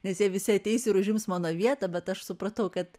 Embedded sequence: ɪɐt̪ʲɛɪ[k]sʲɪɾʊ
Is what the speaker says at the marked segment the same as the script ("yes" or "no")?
no